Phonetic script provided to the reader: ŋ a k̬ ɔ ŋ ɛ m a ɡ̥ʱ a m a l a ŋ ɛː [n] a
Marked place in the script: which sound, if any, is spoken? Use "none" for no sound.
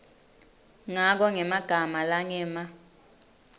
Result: m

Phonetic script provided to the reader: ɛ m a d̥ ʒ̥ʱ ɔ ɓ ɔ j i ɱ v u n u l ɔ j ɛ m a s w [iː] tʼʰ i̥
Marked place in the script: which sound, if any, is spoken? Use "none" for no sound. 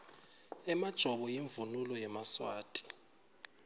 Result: aː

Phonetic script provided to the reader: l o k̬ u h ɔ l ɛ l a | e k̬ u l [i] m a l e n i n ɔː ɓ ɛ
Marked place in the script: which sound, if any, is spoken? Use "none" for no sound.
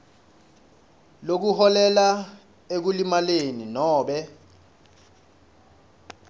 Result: i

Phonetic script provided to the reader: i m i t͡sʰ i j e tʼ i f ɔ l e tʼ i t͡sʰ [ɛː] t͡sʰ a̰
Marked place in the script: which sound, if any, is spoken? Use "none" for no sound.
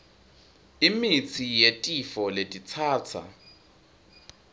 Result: aː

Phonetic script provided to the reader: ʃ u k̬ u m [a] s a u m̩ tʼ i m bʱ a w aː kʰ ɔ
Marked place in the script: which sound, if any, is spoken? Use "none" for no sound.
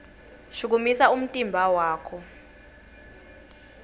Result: i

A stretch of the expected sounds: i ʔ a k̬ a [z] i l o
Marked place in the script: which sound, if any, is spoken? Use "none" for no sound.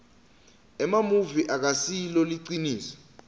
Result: s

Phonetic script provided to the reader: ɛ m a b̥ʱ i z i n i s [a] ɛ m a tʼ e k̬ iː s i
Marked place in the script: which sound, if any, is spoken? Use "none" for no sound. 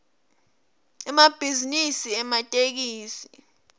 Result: i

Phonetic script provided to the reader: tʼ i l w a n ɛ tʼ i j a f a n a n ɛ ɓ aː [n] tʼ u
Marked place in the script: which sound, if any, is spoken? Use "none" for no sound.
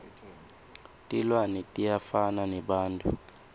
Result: n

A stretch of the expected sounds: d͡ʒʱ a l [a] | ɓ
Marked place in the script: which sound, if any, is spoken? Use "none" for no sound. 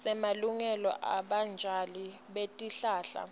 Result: i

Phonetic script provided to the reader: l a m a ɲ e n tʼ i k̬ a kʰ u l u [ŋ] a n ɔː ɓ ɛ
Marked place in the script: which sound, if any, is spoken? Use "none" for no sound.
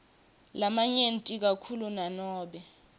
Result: n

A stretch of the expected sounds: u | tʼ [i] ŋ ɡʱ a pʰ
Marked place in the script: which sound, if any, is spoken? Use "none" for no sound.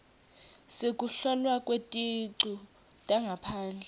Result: a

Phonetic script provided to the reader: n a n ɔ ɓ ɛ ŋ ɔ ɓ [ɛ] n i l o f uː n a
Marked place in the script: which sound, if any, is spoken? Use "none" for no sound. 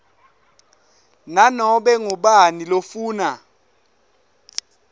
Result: a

